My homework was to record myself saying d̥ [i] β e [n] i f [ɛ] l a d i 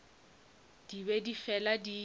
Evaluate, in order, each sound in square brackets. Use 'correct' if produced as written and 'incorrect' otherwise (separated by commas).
correct, incorrect, correct